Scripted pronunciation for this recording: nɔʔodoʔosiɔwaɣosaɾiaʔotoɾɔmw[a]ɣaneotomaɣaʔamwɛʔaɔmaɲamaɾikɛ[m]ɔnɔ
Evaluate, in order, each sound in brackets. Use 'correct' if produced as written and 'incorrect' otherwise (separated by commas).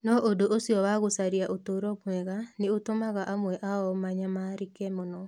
incorrect, correct